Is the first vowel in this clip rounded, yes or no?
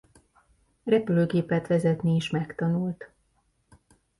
no